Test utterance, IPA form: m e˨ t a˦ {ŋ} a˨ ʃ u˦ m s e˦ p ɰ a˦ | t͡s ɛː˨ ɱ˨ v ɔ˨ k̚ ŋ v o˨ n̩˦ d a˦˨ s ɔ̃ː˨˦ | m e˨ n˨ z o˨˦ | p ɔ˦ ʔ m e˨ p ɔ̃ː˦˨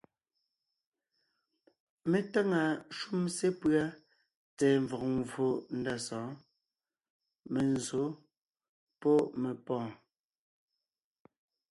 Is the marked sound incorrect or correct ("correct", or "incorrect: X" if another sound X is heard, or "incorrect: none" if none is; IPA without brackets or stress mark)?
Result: correct